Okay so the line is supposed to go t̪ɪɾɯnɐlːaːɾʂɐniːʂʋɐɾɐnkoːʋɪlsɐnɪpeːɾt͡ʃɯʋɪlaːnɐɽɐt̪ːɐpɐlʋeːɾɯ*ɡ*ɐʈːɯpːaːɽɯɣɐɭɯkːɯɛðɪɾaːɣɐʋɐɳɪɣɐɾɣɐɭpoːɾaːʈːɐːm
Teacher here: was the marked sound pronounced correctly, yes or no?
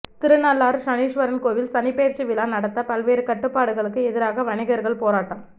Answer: no